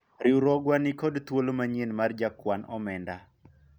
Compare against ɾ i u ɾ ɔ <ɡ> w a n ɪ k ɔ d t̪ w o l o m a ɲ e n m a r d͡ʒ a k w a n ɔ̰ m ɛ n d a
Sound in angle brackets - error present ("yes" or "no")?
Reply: no